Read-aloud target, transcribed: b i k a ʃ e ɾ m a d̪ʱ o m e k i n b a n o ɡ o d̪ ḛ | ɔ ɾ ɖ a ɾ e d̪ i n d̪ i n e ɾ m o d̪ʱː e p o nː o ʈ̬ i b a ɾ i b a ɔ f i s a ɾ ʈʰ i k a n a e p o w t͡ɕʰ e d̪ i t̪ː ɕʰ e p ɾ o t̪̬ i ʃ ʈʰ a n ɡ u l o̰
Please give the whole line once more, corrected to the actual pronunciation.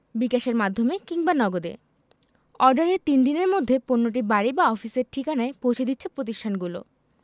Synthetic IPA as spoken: b i k a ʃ e ɾ m a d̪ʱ o m e k i ŋ b a n ɔ ɡ o d̪ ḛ | ɔ ɾ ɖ a ɾ e t̪ i n d̪ i n e ɾ m o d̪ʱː e p o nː o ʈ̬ i b a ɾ i b a ɔ f i s e ɾ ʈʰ i k a n a e p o w t͡ɕʰ e d̪ i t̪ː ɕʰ e p ɾ o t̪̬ i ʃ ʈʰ a n ɡ u l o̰